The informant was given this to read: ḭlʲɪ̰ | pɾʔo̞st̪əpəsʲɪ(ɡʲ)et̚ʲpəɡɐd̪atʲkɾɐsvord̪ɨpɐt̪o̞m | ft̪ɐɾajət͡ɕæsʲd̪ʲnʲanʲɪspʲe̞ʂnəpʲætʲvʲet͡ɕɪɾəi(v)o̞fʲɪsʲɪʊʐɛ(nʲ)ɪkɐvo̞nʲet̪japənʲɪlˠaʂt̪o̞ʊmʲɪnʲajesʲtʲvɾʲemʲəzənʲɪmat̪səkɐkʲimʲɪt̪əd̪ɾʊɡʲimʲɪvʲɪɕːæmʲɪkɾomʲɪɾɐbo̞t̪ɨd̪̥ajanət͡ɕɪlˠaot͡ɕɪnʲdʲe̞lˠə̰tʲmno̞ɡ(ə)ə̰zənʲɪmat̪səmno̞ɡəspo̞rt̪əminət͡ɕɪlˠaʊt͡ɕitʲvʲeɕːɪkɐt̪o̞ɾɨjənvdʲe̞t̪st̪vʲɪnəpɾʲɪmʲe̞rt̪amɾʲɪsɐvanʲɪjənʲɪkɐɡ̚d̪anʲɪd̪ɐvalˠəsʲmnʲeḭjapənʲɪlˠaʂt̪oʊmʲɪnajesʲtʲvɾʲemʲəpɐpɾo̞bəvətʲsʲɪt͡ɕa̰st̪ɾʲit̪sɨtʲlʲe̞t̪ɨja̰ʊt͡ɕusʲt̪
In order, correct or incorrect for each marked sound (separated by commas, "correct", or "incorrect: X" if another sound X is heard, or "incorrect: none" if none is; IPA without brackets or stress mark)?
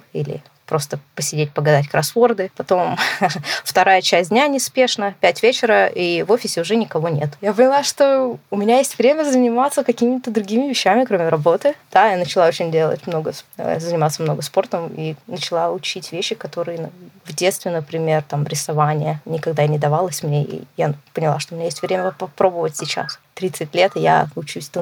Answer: incorrect: dʲ, correct, correct, correct